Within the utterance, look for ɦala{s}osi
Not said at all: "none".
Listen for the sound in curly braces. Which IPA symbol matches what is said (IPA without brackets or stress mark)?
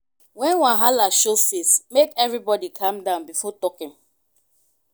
ʃ